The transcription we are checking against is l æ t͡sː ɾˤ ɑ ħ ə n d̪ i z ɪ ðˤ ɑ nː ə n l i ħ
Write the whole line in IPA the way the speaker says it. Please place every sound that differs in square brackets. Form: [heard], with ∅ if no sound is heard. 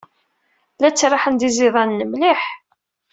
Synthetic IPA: l æ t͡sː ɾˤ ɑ ħ ə n d̪ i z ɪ ðˤ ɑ nː ə [m] l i ħ